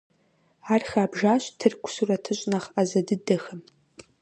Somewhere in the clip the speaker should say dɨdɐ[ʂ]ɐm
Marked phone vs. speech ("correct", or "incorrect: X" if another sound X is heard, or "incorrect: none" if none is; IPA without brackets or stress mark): incorrect: x